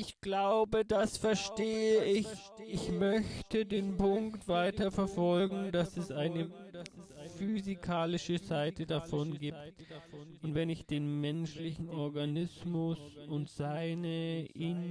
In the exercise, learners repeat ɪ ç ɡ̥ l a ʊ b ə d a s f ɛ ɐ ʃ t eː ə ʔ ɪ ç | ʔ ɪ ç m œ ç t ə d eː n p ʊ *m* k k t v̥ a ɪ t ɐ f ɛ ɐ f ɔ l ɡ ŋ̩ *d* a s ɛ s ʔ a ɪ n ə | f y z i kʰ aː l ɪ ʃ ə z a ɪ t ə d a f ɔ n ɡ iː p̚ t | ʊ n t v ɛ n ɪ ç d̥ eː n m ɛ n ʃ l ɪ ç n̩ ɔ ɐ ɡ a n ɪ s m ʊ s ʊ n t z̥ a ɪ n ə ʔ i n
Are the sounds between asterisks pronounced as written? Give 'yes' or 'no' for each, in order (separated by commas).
no, yes